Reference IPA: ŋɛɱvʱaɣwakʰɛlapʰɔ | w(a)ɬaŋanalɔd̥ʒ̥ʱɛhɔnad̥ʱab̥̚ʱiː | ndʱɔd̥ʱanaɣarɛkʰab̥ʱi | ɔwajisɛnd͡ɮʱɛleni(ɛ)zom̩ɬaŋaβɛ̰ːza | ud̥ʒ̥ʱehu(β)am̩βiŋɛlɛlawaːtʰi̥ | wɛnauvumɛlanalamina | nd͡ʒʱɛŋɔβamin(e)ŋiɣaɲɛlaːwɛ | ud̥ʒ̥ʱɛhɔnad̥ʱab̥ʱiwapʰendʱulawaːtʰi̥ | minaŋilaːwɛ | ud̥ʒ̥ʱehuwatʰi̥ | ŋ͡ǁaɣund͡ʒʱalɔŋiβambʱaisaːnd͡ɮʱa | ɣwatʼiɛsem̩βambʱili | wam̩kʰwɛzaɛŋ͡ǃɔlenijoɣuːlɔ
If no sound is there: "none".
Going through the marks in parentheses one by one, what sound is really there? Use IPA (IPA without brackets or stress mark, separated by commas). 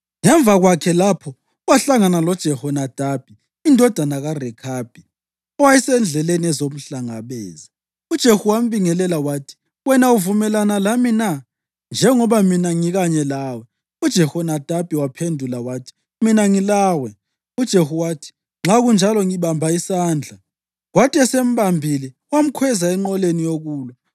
a, ɛ, w, a